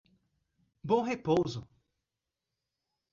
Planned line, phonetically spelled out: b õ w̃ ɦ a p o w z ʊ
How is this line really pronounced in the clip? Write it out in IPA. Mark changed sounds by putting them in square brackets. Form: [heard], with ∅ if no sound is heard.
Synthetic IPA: b õ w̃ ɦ [e] p o w z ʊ